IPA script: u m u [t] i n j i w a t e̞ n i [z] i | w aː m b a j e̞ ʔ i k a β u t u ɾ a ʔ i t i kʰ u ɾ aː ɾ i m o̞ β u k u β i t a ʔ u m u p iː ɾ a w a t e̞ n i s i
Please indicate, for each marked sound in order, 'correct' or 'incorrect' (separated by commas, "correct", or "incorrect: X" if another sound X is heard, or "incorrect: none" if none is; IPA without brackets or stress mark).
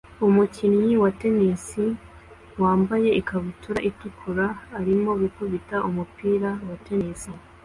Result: incorrect: c, incorrect: s